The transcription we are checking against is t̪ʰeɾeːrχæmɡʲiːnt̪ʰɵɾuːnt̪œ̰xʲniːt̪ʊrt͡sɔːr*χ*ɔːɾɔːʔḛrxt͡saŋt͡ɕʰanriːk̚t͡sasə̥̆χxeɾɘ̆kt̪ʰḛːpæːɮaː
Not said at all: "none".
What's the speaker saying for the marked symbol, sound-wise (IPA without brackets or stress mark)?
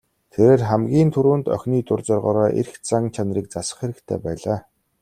ʁ